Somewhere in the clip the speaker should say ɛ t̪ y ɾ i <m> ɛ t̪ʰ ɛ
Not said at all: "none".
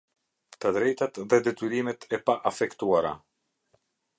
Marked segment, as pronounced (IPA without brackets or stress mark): m